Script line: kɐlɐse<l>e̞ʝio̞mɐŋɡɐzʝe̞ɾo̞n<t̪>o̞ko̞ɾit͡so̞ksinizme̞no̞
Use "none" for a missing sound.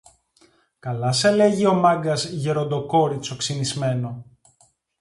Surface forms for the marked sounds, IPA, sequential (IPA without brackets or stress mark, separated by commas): l, d̪